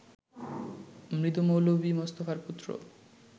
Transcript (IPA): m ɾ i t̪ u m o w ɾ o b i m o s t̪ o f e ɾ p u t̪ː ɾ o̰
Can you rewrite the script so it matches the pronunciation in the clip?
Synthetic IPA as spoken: m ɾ i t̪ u m o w l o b i m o s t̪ o f a ɾ p u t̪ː ɾ o̰